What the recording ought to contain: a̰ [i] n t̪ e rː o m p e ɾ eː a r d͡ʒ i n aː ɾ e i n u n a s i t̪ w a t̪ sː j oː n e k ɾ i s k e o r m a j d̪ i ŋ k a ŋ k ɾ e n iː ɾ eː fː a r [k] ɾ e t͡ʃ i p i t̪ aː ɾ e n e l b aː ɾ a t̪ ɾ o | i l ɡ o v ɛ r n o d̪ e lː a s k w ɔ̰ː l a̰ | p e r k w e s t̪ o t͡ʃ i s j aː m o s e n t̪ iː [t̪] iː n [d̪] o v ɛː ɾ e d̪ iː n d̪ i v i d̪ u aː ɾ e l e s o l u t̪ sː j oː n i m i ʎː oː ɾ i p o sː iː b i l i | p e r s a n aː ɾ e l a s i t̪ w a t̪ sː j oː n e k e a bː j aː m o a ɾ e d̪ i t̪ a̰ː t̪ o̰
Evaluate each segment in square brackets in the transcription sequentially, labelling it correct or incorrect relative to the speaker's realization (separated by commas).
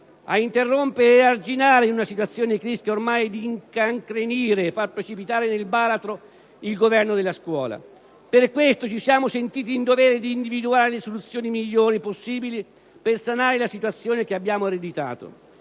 correct, incorrect, correct, correct